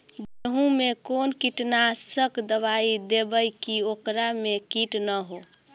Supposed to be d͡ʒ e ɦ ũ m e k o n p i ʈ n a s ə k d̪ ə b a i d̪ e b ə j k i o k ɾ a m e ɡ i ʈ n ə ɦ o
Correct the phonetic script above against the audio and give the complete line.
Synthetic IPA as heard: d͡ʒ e ɦ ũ m e k o n k i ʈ n a s ə k d̪ ə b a i d̪ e b ə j k i o k ɾ a m e k i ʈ n ə ɦ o